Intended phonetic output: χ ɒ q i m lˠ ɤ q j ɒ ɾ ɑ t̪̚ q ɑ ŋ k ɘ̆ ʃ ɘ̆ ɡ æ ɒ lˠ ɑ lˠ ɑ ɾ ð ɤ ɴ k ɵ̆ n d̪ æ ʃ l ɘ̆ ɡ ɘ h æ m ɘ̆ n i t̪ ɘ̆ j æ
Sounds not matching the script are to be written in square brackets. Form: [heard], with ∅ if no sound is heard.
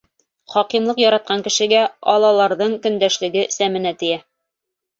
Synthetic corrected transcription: χ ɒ q i m lˠ ɤ q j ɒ ɾ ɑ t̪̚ q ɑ ŋ k ɘ̆ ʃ ɘ̆ ɡ æ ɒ lˠ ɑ lˠ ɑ ɾ ð ɤ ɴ k ɵ̆ n d̪ æ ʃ l ɘ̆ ɡ ɘ [s] æ m ɘ̆ n [æ] t̪ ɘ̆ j æ